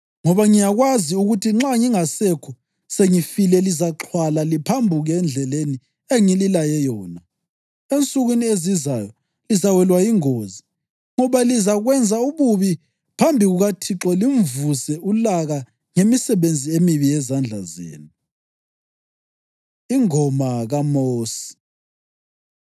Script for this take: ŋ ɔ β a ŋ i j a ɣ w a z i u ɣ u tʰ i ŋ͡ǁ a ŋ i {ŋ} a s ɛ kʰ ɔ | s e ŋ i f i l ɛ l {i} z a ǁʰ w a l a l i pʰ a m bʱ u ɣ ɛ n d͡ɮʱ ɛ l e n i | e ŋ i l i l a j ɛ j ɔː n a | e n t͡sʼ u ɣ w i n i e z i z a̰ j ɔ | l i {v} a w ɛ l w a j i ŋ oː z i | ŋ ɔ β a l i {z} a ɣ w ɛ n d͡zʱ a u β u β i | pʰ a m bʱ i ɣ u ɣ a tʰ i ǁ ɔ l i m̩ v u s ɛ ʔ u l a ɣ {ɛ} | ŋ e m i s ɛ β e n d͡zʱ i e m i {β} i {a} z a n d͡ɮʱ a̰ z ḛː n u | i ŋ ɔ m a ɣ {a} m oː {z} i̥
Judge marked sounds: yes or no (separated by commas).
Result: yes, yes, no, yes, no, yes, no, yes, no